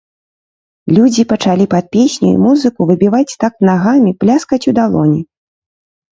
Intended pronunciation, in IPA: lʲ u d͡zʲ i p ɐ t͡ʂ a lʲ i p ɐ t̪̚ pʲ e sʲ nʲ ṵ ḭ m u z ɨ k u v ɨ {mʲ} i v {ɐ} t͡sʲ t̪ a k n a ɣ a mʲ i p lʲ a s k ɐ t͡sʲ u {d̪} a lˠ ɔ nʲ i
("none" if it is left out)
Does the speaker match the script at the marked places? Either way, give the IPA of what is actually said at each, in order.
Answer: bʲ, a, d̪

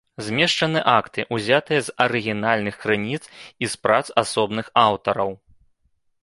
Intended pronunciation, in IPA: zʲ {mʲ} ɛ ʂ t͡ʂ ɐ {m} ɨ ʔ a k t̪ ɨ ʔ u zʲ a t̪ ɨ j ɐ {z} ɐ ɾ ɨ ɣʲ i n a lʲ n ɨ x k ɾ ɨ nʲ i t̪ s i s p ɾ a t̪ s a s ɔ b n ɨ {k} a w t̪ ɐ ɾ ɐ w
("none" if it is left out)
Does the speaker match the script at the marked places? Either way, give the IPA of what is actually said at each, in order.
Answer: mʲ, n, z, x

